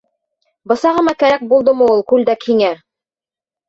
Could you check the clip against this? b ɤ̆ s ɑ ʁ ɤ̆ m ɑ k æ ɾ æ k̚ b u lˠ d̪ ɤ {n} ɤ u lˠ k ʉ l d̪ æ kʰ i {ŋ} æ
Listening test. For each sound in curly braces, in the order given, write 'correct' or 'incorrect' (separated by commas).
incorrect, correct